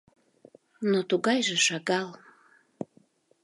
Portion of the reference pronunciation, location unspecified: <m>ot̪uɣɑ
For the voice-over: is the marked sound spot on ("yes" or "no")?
no